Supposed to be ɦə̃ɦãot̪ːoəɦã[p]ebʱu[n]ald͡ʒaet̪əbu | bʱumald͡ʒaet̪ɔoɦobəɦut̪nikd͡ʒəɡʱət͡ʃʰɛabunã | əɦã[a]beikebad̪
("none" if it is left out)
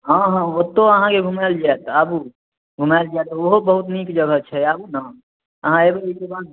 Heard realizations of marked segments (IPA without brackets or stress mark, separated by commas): k, m, e